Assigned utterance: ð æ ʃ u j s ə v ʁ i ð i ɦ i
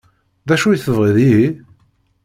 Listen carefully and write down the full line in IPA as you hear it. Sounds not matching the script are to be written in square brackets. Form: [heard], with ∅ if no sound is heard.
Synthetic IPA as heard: ð æ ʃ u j [θ] ə v ʁ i ð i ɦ i